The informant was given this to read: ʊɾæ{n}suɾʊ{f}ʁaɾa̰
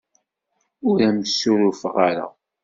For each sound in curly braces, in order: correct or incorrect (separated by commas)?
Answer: incorrect, correct